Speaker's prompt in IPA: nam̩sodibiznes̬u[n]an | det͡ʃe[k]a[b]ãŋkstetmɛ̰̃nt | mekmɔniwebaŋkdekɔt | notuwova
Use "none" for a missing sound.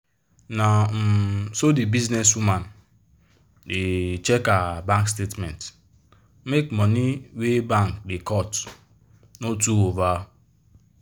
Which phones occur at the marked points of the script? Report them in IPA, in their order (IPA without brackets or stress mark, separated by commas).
m, k, b